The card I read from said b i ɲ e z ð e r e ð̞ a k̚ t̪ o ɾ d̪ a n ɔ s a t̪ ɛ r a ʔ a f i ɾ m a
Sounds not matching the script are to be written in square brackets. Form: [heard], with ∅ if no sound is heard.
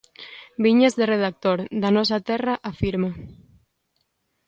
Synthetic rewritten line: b i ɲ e z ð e r e ð̞ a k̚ t̪ o ɾ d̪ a n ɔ s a t̪ ɛ r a ʔ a f i ɾ m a